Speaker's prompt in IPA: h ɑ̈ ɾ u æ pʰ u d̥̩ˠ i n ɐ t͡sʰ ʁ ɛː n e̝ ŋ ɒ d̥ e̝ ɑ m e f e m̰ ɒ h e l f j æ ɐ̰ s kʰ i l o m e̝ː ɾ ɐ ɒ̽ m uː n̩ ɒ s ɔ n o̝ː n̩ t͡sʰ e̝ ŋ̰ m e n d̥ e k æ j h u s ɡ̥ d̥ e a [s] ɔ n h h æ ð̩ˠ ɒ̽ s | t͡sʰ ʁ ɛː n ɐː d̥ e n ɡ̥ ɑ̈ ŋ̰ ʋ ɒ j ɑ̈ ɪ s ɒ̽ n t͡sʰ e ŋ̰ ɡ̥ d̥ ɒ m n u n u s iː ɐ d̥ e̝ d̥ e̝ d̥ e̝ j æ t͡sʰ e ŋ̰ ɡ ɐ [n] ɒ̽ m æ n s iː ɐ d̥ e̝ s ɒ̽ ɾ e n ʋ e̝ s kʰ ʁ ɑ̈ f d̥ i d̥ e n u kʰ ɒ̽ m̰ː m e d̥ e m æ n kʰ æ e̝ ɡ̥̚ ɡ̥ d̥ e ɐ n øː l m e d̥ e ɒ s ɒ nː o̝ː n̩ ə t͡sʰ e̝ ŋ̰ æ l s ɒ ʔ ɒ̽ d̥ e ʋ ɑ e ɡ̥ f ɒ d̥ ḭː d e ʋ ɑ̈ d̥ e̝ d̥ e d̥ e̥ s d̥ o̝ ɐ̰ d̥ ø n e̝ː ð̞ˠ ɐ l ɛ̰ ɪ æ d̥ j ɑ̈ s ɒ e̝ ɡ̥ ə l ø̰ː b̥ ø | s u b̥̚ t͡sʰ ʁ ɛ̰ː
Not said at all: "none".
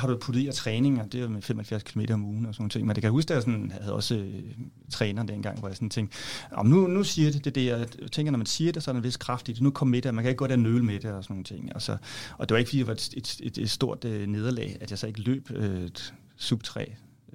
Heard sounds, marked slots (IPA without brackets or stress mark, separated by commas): s, n